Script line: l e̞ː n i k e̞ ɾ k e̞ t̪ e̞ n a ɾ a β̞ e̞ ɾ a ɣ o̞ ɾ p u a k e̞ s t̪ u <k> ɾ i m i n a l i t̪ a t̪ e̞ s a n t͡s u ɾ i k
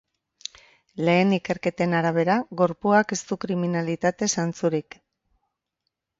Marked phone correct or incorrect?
correct